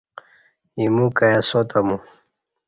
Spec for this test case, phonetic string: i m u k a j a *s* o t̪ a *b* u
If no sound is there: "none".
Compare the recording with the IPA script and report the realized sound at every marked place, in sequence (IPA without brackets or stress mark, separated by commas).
s, m